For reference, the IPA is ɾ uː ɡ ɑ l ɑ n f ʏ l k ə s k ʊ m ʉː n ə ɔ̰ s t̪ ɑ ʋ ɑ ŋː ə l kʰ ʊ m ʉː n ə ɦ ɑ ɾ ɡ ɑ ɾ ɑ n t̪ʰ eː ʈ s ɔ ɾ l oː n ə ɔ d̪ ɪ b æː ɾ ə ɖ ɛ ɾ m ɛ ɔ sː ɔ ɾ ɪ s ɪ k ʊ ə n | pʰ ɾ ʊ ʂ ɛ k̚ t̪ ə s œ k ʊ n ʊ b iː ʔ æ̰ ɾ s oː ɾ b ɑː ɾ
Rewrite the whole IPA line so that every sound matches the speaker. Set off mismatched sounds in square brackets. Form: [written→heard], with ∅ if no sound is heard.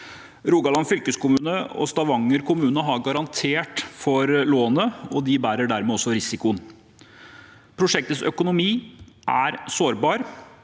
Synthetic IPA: ɾ uː ɡ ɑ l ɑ n f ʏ l k ə s k ʊ m ʉː n ə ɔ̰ s t̪ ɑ ʋ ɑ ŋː ə [l→ɾ] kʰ ʊ m ʉː n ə ɦ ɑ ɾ ɡ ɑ ɾ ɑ n t̪ʰ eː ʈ [s→f] ɔ ɾ l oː n ə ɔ d̪ ɪ b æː ɾ ə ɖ [ɛ→æ] ɾ m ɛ ɔ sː ɔ ɾ ɪ s ɪ k ʊ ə n | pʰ ɾ ʊ ʂ ɛ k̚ t̪ ə s œ k ʊ n ʊ [b→m] iː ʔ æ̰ ɾ s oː ɾ b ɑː ɾ